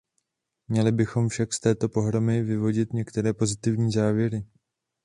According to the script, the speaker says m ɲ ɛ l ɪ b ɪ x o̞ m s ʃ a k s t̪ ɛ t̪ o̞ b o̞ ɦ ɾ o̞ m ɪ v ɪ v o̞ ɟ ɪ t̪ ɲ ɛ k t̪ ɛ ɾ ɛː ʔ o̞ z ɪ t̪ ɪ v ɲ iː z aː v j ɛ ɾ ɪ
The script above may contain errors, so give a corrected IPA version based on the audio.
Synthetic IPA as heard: m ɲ ɛ l ɪ b ɪ x o̞ m f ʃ a k s t̪ ɛː t̪ o̞ p o̞ ɦ ɾ o̞ m ɪ v ɪ v o̞ ɟ ɪ t̪ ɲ ɛ k t̪ ɛ ɾ ɛː p o̞ z ɪ t̪ ɪ v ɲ iː z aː v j ɛ ɾ ɪ